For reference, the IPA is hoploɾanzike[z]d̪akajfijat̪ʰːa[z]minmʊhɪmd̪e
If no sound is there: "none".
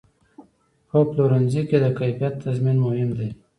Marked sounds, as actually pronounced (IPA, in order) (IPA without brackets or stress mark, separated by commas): none, z